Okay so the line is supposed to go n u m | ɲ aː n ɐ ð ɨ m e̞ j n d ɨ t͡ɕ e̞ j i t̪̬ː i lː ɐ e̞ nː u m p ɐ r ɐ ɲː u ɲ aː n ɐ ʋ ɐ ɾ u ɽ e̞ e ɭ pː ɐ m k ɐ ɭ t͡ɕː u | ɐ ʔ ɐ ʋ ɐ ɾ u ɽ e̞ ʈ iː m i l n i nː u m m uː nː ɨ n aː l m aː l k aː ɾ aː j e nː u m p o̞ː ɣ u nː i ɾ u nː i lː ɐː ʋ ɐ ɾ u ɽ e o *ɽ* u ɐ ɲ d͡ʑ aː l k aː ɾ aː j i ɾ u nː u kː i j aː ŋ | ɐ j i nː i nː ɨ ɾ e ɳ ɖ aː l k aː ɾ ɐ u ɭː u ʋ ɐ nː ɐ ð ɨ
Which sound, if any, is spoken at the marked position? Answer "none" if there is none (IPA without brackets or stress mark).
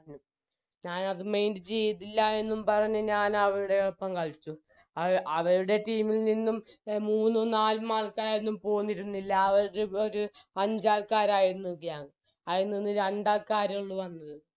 ɾ